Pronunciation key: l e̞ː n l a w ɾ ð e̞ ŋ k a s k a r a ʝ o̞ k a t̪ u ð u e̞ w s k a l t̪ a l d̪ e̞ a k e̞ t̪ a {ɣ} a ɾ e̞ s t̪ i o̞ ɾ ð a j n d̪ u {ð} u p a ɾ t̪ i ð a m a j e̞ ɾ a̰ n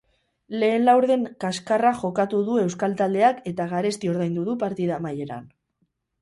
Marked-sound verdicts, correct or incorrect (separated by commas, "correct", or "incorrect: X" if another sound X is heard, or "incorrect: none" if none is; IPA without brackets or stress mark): correct, correct